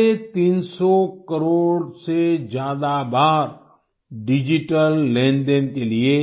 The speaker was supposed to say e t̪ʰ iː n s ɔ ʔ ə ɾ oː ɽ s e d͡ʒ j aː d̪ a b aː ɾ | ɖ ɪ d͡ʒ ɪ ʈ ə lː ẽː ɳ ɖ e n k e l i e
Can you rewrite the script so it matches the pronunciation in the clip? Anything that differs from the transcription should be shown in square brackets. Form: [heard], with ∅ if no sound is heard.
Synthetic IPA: e [t̪] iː n s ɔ [k] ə ɾ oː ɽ s e d͡ʒ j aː d̪ a b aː ɾ | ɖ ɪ d͡ʒ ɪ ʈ ə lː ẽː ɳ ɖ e n k e l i e